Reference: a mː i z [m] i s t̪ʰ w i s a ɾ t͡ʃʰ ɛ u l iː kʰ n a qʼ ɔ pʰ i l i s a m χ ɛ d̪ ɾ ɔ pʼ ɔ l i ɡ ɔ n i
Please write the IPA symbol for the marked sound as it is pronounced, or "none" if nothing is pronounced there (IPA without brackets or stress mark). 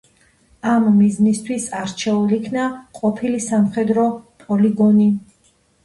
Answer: n